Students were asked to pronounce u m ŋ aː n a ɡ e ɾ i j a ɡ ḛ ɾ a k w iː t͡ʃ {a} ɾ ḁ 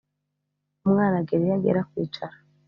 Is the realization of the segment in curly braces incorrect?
no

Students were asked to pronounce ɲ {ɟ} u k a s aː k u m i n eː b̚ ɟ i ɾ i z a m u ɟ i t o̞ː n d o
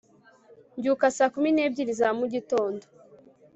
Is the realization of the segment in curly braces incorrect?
no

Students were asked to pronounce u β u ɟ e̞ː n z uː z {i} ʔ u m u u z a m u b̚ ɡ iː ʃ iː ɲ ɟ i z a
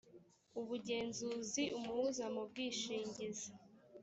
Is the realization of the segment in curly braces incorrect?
no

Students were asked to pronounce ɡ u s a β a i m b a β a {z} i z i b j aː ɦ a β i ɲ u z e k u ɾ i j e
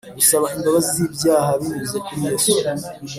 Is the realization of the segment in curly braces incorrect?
no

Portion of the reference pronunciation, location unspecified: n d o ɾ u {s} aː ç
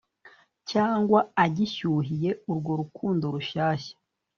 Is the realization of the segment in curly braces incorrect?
yes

